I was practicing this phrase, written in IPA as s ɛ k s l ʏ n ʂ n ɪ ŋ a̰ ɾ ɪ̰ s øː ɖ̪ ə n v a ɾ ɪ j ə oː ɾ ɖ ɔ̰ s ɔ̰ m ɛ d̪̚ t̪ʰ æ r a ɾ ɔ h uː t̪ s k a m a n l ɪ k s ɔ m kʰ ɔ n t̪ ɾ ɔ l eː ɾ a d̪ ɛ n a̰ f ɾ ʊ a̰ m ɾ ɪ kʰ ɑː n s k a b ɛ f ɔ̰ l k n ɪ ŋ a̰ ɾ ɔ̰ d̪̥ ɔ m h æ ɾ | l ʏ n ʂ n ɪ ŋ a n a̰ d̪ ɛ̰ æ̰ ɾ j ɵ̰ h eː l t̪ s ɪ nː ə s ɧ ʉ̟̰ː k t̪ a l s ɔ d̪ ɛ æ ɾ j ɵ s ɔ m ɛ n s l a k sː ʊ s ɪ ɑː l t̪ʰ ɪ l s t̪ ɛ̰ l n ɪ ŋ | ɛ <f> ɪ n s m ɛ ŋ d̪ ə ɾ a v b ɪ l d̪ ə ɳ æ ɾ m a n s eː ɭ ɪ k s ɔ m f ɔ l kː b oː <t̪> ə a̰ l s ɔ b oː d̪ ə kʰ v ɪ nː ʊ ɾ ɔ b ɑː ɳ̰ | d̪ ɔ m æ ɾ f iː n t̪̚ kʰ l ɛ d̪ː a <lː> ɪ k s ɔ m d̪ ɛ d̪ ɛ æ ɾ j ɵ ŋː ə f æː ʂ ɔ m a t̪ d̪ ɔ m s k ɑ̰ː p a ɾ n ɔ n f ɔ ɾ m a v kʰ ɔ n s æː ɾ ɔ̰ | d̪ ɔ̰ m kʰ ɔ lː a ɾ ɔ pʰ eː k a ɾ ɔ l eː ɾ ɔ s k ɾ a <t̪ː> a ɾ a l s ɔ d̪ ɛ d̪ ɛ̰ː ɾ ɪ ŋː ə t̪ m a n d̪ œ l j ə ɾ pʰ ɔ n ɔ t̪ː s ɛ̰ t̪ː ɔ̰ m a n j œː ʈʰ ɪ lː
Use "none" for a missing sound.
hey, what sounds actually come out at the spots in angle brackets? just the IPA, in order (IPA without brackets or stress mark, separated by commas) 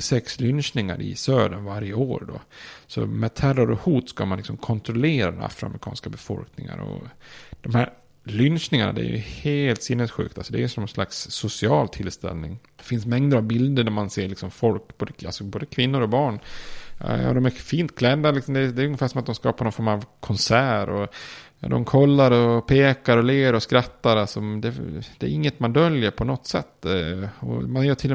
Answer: f, d̪, l, t̪ː